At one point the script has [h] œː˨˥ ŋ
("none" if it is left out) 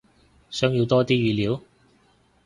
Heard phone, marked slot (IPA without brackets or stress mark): s